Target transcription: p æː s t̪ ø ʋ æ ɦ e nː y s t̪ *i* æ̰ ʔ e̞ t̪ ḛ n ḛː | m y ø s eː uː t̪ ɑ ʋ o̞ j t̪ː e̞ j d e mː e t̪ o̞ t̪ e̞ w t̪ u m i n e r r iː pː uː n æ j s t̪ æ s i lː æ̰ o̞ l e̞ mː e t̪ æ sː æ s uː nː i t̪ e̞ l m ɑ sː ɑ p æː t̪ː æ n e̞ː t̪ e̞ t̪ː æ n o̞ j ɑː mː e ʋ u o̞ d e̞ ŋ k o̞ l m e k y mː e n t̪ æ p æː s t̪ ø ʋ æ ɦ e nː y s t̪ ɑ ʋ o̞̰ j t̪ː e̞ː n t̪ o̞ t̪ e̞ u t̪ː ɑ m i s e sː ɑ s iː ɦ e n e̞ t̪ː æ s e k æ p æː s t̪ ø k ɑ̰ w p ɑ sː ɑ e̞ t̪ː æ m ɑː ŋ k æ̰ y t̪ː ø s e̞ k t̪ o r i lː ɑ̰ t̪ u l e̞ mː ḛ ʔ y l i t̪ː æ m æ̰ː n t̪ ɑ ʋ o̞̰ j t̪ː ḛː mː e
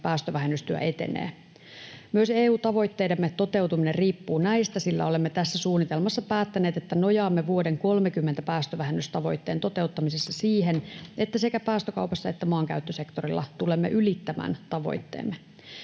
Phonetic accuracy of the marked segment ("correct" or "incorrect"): incorrect